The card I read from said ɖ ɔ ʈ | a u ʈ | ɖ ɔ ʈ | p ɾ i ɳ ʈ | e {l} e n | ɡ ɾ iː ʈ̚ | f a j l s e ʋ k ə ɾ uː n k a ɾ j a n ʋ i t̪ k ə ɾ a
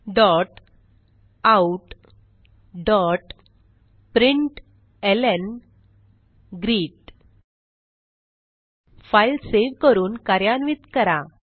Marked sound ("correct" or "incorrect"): correct